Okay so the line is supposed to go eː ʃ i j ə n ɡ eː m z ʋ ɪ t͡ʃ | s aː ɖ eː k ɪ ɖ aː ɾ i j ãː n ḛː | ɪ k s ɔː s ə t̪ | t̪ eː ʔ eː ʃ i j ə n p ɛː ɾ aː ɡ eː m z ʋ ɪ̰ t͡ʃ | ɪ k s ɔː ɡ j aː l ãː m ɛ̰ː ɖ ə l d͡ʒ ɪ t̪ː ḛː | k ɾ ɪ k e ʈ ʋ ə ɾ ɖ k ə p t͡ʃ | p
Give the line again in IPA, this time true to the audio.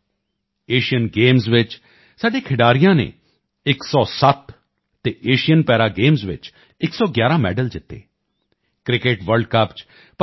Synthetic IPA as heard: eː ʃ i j ə n ɡ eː m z ʋ ɪ t͡ʃ | s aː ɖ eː kʰ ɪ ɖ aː ɾ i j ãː n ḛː | ɪ k s ɔː s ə t̪ | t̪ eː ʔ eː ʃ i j ə n p ɛː ɾ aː ɡ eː m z ʋ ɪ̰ t͡ʃ | ɪ k s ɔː ɡ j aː ɾ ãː m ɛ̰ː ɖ ə l d͡ʒ ɪ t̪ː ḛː | k ɾ ɪ k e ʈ ʋ ə ɾ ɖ k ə p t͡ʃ | p